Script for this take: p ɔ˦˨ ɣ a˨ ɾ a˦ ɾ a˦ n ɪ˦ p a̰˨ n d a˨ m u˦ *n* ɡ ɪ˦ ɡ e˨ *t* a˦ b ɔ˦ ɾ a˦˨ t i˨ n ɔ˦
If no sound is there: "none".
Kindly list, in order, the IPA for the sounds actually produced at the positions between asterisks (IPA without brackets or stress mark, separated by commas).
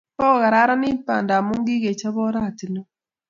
ŋ, t͡ʃ